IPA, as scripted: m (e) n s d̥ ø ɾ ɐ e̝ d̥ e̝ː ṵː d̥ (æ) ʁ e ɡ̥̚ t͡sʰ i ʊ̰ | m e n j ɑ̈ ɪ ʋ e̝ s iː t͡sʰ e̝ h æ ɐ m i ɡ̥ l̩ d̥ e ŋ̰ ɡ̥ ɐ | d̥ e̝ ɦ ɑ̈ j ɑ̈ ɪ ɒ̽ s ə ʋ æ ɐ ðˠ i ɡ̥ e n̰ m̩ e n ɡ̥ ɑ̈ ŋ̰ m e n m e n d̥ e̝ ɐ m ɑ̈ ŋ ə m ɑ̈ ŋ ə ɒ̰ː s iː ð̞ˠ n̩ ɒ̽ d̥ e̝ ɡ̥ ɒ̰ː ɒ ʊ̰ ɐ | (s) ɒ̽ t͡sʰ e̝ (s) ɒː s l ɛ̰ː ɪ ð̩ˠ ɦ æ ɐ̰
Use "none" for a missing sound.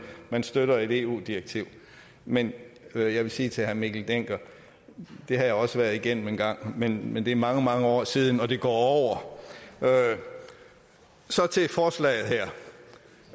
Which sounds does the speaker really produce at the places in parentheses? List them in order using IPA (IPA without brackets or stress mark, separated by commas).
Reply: æ, i, s, f